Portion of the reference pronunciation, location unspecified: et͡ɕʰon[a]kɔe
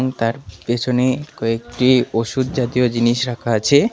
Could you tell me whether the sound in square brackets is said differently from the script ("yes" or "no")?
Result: yes